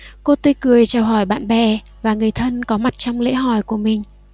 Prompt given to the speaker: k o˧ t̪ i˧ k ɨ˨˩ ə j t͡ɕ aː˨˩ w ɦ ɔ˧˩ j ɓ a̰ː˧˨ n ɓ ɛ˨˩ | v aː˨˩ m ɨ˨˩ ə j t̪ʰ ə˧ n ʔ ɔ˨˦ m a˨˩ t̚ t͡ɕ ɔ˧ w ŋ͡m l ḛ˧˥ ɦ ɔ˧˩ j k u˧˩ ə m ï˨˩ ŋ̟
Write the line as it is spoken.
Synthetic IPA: k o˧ t̪ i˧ k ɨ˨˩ ə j t͡ɕ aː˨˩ w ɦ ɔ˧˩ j ɓ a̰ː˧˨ n ɓ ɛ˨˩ | v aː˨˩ ŋ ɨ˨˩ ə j t̪ʰ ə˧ n k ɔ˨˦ m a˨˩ t̚ t͡ɕ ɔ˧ w ŋ͡m l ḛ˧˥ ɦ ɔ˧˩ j k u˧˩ ə m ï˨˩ ŋ̟